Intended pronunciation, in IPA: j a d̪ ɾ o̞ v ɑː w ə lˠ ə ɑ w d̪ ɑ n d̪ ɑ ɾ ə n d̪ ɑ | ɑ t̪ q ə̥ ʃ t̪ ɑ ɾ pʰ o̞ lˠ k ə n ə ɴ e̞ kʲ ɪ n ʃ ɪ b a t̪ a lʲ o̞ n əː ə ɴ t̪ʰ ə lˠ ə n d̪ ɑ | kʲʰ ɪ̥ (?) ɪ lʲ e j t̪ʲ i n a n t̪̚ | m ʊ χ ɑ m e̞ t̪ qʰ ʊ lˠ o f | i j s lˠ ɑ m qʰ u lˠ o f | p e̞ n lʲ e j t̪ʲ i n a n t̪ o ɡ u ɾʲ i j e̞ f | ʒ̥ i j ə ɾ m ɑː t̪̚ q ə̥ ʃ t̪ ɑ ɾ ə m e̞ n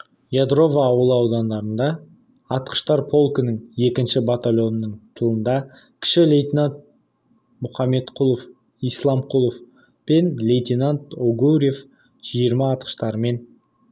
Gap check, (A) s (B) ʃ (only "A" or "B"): B